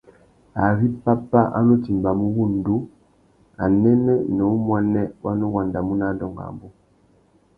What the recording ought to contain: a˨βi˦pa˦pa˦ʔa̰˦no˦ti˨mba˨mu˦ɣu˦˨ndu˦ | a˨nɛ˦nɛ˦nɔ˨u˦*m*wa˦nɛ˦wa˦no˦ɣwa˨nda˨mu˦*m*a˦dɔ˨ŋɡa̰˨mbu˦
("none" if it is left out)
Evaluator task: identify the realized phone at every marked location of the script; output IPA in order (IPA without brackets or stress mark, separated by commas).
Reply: m, n